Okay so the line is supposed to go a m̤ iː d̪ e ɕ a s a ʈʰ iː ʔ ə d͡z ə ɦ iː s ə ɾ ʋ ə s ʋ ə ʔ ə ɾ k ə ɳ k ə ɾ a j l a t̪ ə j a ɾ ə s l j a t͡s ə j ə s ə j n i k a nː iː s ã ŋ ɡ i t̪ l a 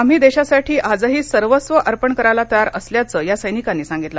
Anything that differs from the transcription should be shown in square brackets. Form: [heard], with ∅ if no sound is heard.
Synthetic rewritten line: a m̤ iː d̪ e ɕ a s a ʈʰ iː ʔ [a] d͡z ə ɦ iː s ə ɾ ʋ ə s ʋ ə ʔ ə ɾ [p] ə ɳ k ə ɾ a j l a t̪ ə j a ɾ ə s l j a t͡s ə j [a] s ə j n i k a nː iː s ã ŋ ɡ i t̪ l a